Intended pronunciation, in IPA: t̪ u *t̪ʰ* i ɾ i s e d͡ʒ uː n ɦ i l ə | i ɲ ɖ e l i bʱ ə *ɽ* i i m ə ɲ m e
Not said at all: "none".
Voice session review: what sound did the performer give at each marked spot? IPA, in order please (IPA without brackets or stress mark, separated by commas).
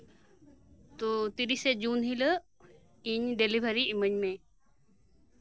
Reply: t̪, ɾ